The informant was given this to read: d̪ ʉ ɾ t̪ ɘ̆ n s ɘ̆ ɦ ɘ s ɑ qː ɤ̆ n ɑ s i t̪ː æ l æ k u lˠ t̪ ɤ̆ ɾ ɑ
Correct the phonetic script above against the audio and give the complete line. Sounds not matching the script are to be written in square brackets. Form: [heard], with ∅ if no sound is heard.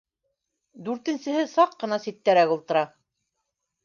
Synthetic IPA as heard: d̪ ʉ ɾ t̪ ɘ̆ n s ɘ̆ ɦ ɘ s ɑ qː ɤ̆ n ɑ s i t̪ː æ [ɾ] æ k u lˠ t̪ ɤ̆ ɾ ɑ